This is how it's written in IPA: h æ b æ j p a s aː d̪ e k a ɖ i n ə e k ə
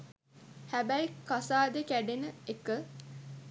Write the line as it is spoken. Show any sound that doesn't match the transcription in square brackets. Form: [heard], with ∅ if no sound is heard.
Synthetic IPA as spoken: h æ b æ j [k] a s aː d̪ e k [æ] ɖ [e] n ə e k ə